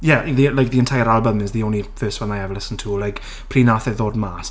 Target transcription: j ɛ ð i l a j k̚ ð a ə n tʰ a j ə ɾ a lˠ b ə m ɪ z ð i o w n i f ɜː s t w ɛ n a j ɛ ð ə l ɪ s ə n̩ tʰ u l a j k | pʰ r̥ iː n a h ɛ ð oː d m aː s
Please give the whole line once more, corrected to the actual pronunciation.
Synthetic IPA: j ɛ ð i l a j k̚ ð i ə n tʰ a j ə ɾ a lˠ b ə m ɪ z ð i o w n i f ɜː s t w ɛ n a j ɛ v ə l ɪ s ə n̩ tʰ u l a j k | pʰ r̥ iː n a θ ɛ ð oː d m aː s